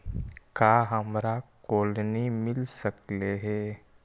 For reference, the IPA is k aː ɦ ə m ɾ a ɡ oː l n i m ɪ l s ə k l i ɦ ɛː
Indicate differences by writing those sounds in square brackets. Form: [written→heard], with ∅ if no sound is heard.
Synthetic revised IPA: k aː ɦ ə m ɾ a [ɡ→k] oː l n i m ɪ l s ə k l [i→e] ɦ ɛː